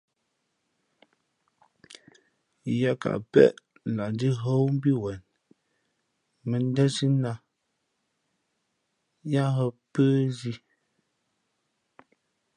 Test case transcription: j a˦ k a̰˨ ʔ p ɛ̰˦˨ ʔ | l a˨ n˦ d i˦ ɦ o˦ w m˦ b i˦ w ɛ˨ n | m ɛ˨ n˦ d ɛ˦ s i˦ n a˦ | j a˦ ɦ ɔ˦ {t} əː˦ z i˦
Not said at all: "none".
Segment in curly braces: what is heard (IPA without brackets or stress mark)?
p